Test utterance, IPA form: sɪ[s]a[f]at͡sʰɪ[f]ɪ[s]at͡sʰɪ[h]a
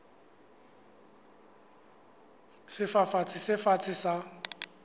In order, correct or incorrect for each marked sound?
incorrect: f, correct, incorrect: s, incorrect: f, incorrect: s

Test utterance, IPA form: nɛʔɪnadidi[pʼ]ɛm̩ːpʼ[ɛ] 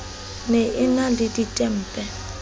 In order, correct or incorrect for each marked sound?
incorrect: tʼ, correct

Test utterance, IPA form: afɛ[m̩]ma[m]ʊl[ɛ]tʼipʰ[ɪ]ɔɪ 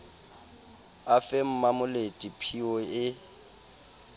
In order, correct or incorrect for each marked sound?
correct, correct, incorrect: e, incorrect: i

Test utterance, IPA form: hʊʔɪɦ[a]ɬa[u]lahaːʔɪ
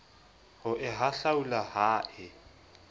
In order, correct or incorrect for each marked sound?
correct, correct

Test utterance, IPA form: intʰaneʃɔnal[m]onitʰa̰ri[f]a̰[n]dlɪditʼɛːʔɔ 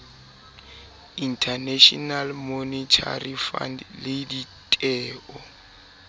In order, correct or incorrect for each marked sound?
correct, correct, correct

